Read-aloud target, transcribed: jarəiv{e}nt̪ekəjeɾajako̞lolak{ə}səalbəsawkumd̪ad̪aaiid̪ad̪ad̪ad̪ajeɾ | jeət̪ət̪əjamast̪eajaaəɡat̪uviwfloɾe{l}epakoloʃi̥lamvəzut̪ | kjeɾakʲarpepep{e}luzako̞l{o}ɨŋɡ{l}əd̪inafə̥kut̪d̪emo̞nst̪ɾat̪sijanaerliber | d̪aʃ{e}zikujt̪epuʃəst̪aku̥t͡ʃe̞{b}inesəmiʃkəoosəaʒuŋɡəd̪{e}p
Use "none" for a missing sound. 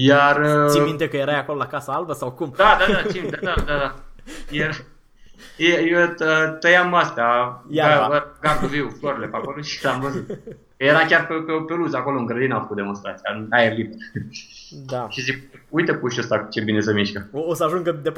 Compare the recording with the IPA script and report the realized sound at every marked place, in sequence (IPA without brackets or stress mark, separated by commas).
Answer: i, a, l, e, o, ɾ, i, b, e